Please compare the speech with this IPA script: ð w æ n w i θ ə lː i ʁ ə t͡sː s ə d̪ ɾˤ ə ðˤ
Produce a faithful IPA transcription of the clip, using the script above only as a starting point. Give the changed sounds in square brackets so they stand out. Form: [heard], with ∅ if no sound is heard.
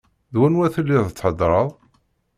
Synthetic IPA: ð w æ n w [æ] θ ə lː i [ð] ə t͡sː [ħ] ə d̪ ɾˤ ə ðˤ